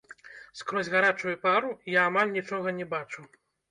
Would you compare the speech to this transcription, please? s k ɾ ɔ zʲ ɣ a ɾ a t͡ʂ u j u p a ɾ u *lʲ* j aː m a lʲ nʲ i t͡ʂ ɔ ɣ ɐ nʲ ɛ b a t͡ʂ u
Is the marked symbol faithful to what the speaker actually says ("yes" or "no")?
no